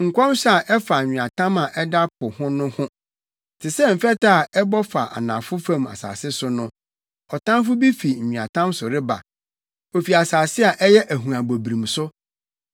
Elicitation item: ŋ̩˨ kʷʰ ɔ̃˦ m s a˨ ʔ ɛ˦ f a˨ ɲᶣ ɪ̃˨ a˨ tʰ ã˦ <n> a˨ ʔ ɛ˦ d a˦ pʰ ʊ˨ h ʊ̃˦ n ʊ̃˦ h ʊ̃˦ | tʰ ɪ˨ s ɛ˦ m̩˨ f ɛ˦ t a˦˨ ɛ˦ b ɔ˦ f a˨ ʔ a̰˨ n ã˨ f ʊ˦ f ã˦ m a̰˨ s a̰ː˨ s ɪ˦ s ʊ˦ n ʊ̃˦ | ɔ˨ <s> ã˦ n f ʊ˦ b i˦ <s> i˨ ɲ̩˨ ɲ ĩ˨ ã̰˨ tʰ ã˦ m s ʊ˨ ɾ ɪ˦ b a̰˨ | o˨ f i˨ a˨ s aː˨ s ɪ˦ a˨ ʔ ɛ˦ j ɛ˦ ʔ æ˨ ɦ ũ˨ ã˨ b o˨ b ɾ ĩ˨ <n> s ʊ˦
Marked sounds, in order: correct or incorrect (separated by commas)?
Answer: incorrect, incorrect, incorrect, incorrect